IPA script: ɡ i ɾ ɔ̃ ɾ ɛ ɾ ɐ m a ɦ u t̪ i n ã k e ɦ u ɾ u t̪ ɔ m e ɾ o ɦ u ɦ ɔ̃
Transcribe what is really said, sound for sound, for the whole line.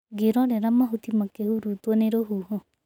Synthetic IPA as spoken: ɡ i ɾ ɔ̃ ɾ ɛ ɾ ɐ m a ɦ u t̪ i m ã k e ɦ u ɾ u t̪ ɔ n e ɾ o ɦ u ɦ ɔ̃